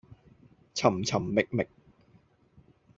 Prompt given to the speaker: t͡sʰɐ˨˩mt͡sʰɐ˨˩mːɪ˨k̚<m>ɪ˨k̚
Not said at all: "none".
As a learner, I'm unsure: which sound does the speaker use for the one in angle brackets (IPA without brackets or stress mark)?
m